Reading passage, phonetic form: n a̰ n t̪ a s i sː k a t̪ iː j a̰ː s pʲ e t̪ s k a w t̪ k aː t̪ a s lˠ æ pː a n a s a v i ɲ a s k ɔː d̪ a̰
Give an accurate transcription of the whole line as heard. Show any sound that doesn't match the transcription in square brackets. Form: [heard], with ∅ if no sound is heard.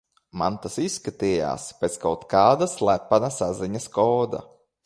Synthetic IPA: [m] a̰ n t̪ a s i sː k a t̪ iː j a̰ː s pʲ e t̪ s k a w t̪ k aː [d̪] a s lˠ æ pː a n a s a [z] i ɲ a s k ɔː d̪ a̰